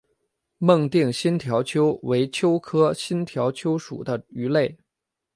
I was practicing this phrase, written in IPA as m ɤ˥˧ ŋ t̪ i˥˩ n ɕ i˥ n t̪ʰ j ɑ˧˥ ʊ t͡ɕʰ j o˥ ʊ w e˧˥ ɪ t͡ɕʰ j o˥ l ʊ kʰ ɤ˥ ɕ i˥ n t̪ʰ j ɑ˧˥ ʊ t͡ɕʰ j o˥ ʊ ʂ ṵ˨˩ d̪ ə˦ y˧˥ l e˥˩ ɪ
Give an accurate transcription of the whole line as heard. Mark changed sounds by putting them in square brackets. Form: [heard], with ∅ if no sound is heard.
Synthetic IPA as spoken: m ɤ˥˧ ŋ t̪ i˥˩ [ŋ] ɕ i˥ n t̪ʰ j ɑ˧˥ ʊ t͡ɕʰ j o˥ ʊ w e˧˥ ɪ t͡ɕʰ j o˥ [∅] ʊ kʰ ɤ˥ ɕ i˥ n t̪ʰ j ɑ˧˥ ʊ t͡ɕʰ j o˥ ʊ ʂ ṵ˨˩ d̪ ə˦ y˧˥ l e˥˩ ɪ